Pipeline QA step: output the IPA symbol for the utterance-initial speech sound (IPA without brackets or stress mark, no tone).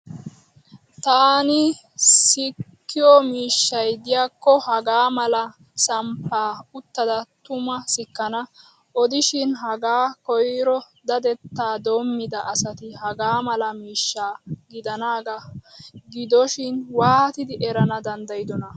t̪